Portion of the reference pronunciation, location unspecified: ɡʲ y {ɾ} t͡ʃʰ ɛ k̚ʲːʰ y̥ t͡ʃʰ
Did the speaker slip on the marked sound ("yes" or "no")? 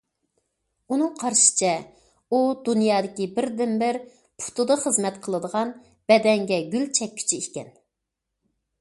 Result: yes